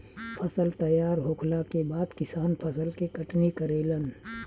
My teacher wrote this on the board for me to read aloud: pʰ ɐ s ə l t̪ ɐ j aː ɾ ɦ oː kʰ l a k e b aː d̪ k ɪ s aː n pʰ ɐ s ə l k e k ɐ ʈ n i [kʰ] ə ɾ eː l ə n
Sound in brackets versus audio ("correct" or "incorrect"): incorrect